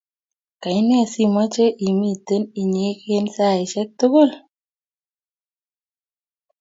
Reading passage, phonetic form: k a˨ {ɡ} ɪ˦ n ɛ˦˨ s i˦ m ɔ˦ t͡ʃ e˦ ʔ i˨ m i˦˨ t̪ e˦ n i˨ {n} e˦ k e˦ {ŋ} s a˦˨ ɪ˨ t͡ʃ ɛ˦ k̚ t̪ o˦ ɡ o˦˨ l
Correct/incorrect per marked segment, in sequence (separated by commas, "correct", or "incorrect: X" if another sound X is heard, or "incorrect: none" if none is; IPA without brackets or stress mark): incorrect: none, incorrect: ɲ, incorrect: n